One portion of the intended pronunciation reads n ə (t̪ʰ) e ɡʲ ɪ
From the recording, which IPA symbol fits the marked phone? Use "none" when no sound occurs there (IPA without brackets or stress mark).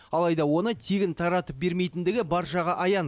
t̪ʰ